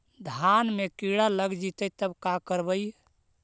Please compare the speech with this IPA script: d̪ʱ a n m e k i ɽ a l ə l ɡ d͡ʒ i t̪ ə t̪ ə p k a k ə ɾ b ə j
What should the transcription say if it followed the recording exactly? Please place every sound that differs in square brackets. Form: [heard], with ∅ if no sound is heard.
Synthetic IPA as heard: d̪ʱ a n m e k i ɽ a l ə [∅] ɡ d͡ʒ i t̪ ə t̪ ə [b] k a k ə ɾ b ə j